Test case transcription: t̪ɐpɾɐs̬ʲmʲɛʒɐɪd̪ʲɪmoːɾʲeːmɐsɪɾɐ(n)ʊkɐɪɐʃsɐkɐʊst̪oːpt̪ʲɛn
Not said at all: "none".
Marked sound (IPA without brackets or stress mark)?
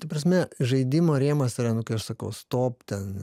n